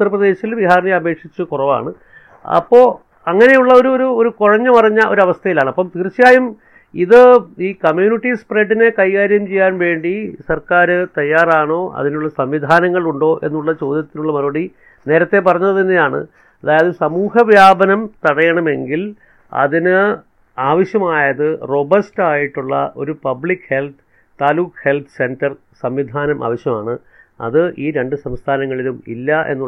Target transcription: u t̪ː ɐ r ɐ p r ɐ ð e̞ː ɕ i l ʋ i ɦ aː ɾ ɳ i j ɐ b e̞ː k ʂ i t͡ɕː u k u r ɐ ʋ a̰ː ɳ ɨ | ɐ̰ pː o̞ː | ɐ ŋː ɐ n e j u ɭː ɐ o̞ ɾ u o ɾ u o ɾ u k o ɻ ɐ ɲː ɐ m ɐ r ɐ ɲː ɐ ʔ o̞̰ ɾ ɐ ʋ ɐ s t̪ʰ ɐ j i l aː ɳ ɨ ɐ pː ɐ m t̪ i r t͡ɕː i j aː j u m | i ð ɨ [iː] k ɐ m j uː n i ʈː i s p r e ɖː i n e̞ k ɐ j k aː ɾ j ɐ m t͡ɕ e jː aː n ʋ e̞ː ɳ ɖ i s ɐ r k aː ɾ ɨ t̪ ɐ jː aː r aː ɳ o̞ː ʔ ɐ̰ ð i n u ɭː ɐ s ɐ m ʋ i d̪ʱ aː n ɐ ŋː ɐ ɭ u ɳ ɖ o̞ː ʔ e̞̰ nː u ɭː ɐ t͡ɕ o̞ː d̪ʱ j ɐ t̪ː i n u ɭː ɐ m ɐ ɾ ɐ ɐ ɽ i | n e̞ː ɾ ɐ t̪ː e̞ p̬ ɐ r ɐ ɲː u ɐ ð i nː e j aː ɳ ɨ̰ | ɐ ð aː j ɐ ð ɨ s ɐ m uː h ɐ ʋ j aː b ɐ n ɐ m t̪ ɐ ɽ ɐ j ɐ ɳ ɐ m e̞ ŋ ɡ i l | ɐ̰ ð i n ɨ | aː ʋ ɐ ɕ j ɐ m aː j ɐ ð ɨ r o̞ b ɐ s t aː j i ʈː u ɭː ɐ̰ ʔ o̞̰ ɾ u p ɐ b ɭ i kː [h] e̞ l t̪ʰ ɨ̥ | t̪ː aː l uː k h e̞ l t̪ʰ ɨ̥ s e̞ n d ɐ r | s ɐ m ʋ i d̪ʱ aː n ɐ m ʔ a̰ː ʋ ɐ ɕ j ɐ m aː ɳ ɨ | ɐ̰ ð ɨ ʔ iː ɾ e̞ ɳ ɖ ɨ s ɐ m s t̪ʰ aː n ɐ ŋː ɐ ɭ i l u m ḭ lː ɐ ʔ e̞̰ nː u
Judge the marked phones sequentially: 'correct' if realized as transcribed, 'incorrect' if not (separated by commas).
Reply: correct, correct